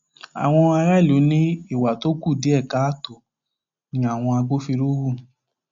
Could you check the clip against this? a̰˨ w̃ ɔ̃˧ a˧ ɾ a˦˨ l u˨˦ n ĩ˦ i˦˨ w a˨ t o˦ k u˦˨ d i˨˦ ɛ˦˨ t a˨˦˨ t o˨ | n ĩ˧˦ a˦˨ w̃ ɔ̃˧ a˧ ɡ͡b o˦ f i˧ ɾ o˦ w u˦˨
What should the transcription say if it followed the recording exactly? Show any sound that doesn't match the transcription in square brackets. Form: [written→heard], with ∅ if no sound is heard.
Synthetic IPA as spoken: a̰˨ w̃ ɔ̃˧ a˧ ɾ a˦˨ l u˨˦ n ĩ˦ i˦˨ w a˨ t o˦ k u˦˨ d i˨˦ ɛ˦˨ [t→k] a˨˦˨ t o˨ | n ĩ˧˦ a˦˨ w̃ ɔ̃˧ a˧ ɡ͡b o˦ f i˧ ɾ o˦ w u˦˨